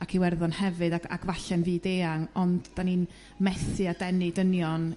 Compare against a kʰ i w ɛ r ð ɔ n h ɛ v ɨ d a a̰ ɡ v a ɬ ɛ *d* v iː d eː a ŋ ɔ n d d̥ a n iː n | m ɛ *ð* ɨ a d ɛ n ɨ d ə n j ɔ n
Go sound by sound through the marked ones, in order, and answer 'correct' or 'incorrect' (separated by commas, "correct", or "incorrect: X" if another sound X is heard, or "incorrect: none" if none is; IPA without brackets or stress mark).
incorrect: n, incorrect: θ